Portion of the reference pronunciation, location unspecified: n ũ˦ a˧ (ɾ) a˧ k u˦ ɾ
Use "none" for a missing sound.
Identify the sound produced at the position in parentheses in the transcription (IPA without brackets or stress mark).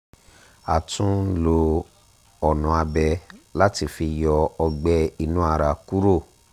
ɾ